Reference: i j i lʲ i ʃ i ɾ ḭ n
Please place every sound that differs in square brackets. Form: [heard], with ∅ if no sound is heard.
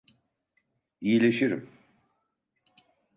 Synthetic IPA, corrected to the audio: i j i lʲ [e] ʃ i ɾ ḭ [m]